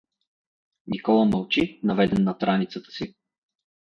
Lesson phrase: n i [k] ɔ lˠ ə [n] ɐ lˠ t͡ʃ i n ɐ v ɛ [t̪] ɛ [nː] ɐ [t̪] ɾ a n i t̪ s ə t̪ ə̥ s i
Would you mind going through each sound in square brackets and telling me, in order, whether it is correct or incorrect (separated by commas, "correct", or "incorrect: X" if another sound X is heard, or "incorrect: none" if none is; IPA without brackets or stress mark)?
correct, incorrect: m, incorrect: d̪, correct, correct